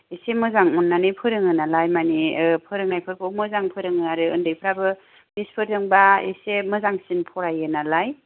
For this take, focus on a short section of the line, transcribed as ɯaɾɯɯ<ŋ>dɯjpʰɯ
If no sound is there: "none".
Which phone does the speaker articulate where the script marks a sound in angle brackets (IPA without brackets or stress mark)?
n